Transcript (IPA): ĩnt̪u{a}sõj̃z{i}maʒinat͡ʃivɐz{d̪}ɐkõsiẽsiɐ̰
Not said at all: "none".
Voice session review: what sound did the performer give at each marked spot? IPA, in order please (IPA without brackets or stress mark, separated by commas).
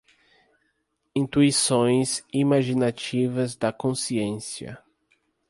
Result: i, i, d̪